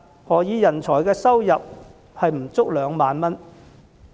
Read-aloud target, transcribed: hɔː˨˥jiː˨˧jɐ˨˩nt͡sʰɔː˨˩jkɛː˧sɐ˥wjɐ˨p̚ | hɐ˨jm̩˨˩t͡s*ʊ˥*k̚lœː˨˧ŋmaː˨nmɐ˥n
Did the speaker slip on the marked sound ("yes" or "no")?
no